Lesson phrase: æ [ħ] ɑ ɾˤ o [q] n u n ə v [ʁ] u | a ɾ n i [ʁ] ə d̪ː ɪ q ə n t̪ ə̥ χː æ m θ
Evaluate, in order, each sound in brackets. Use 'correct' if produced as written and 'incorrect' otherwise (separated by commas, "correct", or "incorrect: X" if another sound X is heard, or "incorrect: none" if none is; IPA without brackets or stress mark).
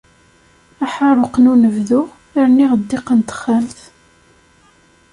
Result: correct, correct, incorrect: ð, correct